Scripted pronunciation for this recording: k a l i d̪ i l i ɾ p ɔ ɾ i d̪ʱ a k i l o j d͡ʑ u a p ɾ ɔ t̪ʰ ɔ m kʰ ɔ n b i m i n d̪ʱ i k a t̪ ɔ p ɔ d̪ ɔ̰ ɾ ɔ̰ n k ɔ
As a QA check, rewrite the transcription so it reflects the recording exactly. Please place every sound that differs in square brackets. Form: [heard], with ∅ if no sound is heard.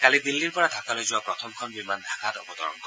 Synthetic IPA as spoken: k a l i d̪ i [lː] i ɾ p ɔ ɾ [a] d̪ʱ a k [a] l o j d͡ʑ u a p ɾ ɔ t̪ʰ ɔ m kʰ ɔ n b i m [a] n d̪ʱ [a] k a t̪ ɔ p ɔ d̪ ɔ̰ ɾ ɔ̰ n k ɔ